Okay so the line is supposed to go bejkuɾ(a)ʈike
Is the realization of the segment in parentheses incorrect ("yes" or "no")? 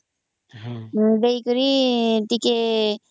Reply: yes